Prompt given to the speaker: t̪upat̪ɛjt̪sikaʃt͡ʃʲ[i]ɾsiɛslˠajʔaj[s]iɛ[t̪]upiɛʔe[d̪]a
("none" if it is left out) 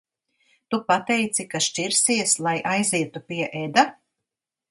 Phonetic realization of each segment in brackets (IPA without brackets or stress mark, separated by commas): i, z, t̪, d̪